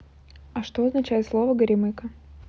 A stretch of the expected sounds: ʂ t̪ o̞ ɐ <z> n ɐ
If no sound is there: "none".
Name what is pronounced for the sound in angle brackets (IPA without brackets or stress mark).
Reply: z